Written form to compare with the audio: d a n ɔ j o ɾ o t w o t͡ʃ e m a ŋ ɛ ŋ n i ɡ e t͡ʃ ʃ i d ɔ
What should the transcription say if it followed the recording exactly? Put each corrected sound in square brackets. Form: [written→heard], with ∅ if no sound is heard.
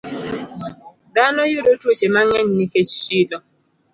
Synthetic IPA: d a n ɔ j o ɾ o t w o t͡ʃ e m a ŋ ɛ [ŋ→ɲ] n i [ɡ→k] e t͡ʃ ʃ i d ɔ